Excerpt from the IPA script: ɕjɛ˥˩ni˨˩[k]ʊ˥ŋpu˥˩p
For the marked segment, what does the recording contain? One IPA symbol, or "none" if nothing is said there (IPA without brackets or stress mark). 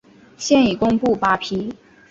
k